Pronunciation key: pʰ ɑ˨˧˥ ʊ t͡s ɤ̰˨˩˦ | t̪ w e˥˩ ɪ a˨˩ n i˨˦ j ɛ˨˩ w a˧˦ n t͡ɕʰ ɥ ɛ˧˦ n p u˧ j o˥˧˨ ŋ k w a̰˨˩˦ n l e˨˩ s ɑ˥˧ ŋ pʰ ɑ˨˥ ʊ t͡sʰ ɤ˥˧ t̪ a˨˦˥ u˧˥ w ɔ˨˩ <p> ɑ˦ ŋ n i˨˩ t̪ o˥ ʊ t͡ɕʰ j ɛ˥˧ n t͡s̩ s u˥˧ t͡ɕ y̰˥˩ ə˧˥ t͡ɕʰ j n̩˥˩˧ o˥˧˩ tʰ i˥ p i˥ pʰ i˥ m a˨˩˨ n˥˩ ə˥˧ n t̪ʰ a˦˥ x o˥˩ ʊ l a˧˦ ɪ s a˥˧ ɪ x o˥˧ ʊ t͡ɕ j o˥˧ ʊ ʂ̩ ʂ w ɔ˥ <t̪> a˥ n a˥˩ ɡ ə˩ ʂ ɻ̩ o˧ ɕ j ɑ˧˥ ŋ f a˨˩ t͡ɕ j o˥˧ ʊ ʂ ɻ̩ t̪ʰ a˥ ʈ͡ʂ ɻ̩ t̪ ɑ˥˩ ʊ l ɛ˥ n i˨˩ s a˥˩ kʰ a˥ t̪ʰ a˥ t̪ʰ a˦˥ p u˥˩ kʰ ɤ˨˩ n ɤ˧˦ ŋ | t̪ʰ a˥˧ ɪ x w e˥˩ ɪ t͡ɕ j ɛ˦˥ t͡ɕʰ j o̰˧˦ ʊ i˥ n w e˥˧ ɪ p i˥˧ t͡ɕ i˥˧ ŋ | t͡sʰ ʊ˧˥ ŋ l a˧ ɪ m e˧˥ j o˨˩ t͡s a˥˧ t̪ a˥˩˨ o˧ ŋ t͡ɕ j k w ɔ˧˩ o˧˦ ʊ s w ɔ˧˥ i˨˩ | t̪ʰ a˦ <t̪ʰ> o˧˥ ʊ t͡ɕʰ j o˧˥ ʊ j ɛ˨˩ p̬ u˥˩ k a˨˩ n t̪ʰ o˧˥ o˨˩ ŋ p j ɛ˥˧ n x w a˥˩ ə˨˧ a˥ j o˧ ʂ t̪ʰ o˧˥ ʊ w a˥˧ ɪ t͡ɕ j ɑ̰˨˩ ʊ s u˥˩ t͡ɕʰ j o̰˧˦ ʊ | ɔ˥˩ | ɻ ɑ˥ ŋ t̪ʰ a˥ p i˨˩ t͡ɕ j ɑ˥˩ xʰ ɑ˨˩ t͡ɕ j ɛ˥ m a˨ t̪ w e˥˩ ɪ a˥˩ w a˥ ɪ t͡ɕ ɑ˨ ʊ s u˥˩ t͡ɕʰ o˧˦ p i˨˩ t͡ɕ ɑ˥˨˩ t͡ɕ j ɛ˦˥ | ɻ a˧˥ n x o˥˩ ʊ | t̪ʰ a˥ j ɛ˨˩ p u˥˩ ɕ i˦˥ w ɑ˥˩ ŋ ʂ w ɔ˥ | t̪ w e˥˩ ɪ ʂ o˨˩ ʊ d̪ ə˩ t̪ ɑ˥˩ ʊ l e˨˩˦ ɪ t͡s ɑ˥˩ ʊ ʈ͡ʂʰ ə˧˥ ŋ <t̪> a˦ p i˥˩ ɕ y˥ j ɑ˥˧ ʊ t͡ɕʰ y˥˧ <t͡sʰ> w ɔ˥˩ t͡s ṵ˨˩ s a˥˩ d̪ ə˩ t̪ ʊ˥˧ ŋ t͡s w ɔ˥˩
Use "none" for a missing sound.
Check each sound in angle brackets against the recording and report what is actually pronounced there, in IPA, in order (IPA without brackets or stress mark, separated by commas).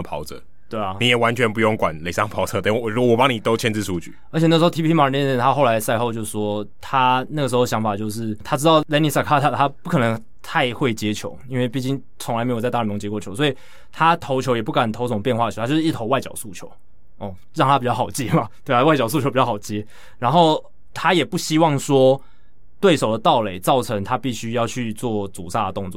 p, t̪ʰ, t̪ʰ, t̪ʰ, t͡s